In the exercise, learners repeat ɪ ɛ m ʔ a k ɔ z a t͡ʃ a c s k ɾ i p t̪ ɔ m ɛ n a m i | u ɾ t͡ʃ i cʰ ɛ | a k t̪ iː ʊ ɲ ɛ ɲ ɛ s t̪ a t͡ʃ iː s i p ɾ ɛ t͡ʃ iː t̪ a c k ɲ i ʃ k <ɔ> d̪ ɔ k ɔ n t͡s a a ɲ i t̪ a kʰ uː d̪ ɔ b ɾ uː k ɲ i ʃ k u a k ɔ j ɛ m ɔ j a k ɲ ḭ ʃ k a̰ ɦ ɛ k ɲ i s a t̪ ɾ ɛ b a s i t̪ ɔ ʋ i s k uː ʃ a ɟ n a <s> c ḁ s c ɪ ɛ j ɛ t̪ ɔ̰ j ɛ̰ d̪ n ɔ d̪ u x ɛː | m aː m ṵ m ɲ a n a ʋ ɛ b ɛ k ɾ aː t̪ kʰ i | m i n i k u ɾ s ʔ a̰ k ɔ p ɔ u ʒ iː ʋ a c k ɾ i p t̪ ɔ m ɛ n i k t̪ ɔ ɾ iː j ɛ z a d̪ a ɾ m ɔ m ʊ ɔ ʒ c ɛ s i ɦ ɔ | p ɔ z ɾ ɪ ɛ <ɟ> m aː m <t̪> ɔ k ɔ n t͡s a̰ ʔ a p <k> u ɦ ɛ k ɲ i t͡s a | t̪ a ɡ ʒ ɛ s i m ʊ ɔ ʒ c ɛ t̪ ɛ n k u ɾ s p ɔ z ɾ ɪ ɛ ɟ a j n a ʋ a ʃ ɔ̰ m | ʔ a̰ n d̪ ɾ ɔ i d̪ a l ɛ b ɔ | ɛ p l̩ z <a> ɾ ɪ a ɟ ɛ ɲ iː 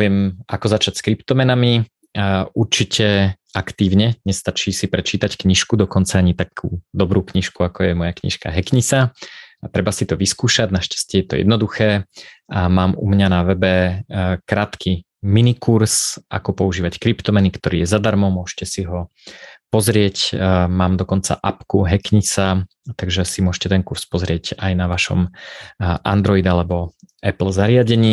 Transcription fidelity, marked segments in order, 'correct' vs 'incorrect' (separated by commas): incorrect, incorrect, incorrect, incorrect, correct, correct